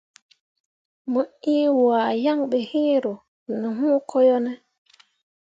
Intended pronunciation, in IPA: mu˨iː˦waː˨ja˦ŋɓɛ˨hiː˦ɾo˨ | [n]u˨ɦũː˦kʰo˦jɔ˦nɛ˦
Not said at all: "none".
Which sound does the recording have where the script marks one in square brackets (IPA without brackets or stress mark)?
n